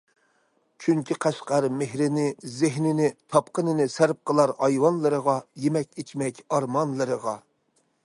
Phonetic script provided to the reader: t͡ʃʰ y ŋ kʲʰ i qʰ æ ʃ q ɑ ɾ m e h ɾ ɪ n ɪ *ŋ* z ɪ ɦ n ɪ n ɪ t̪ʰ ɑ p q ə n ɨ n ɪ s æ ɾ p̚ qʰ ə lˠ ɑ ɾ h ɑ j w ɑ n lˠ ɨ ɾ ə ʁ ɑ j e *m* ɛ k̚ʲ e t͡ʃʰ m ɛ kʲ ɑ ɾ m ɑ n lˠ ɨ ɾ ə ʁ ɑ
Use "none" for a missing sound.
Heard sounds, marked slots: none, m

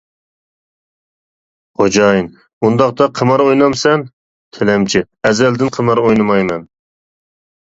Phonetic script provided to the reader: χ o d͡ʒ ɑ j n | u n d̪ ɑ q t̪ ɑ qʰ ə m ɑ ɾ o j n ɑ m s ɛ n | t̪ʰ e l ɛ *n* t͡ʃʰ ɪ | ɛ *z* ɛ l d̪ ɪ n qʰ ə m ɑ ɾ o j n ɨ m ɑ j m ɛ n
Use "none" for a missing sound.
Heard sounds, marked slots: m, z

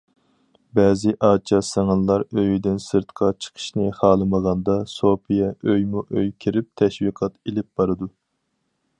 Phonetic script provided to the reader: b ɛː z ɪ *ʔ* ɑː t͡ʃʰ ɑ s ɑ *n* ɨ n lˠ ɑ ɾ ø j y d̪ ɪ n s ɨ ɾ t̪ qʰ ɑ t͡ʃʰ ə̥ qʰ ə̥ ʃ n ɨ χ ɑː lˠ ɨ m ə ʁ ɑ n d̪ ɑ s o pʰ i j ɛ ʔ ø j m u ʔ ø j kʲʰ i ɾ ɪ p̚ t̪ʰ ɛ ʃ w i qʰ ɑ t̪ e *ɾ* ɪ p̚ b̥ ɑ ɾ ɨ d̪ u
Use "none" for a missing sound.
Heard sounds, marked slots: ʔ, ŋ, l

